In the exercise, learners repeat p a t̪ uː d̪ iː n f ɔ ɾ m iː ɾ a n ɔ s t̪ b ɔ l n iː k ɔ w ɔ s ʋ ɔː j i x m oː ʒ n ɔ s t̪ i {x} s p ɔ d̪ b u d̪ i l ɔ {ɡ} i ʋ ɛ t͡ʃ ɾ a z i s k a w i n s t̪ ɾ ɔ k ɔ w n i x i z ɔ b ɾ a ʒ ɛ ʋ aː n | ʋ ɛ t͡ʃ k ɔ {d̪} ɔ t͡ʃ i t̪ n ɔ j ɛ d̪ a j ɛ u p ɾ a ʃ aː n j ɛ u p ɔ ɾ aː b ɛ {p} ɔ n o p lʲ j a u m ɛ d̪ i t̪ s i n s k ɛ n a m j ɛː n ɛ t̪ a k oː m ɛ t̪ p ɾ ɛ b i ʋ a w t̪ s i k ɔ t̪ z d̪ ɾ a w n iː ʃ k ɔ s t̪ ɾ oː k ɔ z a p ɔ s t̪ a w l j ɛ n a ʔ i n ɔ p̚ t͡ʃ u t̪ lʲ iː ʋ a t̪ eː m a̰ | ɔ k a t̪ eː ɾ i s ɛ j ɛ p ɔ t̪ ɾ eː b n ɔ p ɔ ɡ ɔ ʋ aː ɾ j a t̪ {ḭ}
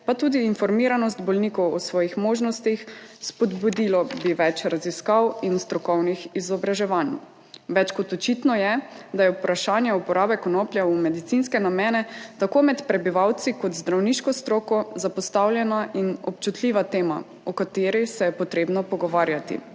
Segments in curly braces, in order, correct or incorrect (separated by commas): correct, incorrect, incorrect, incorrect, correct